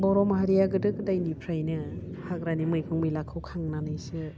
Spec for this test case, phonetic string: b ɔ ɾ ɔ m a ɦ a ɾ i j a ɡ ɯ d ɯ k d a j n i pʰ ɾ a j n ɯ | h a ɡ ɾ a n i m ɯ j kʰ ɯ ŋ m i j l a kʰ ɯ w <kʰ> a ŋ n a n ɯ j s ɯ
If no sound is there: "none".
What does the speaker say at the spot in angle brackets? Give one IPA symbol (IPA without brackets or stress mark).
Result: kʰ